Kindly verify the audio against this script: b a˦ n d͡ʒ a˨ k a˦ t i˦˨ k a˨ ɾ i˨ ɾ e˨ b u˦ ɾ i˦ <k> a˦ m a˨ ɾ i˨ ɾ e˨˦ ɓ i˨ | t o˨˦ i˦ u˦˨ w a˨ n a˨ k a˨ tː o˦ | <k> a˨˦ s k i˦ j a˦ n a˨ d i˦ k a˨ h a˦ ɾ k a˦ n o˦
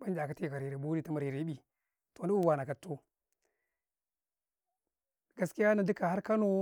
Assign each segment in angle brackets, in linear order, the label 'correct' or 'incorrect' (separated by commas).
incorrect, incorrect